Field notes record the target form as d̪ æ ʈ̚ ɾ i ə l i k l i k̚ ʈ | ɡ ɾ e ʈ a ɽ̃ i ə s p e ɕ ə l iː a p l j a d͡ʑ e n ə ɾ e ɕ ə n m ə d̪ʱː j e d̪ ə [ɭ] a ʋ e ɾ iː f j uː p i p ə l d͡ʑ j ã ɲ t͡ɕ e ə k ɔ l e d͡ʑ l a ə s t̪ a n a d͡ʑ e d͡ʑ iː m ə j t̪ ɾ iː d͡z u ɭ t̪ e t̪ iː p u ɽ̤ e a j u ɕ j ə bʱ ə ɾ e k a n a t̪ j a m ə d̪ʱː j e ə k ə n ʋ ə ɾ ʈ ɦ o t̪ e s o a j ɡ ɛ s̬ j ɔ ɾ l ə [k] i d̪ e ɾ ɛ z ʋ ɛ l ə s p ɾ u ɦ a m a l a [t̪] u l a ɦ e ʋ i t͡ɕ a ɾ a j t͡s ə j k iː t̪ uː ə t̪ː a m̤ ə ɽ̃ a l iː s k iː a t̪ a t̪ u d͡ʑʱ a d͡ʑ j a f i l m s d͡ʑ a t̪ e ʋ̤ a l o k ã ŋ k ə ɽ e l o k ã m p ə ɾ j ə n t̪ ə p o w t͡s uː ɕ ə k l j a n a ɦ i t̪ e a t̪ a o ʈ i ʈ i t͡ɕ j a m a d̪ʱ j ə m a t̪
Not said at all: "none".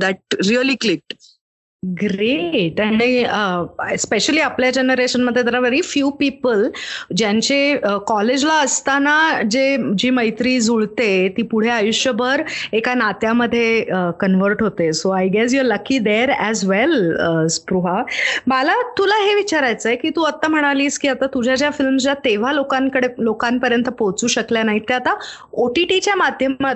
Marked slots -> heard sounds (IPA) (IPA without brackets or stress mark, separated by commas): ɾ, k, t̪